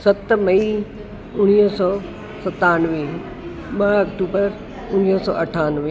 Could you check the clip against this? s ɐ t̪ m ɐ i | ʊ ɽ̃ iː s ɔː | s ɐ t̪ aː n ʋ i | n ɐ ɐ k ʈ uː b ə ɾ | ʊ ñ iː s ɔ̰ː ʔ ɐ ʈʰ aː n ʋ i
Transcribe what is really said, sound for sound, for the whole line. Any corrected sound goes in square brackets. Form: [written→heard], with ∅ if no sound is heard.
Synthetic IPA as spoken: s ɐ t̪ m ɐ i | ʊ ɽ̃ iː s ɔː | s ɐ t̪ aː n ʋ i | [n→m] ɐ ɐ k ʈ uː b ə ɾ | ʊ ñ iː s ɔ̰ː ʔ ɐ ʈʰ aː n ʋ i